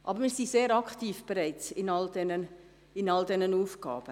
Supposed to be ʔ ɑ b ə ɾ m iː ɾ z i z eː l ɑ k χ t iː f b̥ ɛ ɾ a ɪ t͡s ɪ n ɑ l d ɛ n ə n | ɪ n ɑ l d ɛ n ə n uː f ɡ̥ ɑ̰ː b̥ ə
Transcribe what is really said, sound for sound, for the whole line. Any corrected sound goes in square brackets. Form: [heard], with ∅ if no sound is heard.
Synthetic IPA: ʔ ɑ b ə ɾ m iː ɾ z i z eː [ɾ] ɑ k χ t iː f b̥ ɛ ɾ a ɪ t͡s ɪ n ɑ l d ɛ n ə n | ɪ n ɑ l d ɛ n ə n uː f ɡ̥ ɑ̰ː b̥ ə